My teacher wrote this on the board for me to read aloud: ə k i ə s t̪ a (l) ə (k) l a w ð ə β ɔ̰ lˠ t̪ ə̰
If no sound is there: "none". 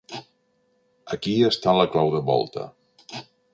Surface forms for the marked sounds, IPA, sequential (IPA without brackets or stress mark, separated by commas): l, k